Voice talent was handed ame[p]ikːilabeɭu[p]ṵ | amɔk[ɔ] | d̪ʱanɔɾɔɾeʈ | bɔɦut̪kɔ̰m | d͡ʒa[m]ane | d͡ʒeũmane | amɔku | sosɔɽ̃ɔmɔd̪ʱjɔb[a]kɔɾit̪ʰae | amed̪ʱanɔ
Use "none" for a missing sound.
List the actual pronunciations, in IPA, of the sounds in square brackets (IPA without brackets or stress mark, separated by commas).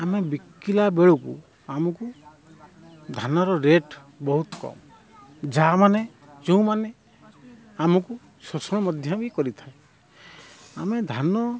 b, k, u, m, i